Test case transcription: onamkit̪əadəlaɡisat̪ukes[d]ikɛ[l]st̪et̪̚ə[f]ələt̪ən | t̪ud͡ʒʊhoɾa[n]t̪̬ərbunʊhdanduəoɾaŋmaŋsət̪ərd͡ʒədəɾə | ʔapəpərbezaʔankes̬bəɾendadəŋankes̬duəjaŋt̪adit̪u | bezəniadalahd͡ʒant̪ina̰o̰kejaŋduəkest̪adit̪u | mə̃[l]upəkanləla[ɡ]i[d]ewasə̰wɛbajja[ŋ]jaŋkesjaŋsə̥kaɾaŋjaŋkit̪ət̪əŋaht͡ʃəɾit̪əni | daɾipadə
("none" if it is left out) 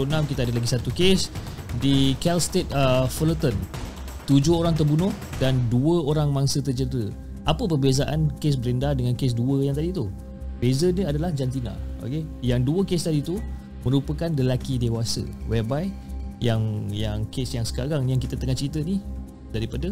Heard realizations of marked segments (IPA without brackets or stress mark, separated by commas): d, l, f, ŋ, ɾ, k, d, ŋ